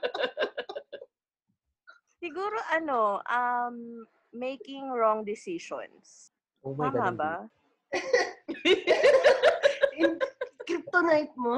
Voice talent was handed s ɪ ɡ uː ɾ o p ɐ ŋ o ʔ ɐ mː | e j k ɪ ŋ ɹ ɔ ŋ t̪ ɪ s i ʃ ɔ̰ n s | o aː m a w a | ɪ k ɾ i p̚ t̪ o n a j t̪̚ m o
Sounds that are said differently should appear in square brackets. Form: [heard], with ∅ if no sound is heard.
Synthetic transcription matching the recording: s ɪ ɡ uː ɾ o [ʔ] ɐ [n] o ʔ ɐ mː | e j k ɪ ŋ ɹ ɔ ŋ [d̪] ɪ s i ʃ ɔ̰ n s | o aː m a [b] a | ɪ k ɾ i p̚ t̪ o n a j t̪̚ m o